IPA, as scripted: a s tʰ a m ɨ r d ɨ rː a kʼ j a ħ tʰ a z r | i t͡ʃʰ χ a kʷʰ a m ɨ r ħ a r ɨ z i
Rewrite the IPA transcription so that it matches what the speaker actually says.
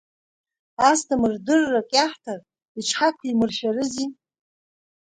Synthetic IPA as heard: a s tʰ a m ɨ r d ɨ rː a kʼ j a ħ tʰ a r | i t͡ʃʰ ħ a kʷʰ i m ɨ r ʃ a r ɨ z i